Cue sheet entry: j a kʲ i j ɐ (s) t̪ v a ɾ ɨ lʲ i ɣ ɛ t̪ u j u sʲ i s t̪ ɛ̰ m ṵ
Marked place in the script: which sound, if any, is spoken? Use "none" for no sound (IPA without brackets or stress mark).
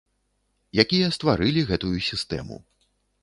s